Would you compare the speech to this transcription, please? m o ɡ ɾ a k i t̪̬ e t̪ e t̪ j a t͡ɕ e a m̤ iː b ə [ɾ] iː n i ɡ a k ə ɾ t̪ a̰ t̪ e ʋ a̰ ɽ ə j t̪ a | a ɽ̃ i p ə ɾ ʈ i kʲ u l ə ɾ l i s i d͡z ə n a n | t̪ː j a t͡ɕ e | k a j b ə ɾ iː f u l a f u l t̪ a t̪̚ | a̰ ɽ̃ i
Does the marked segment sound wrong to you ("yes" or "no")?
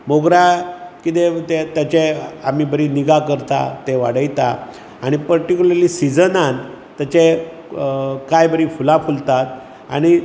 no